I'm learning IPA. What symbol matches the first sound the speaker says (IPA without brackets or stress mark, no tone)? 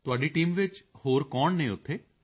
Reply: t̪